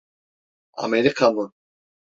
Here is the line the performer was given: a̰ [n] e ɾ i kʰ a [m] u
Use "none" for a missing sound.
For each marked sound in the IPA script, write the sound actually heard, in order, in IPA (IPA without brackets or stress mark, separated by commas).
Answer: m, m